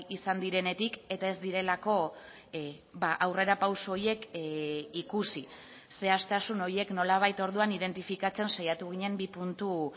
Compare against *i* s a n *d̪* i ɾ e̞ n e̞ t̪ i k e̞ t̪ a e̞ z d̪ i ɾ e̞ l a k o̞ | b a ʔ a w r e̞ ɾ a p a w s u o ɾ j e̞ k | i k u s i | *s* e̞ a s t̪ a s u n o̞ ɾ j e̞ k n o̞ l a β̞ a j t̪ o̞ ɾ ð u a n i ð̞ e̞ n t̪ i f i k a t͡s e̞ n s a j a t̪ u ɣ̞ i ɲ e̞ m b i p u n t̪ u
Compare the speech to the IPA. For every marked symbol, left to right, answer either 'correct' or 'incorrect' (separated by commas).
correct, correct, correct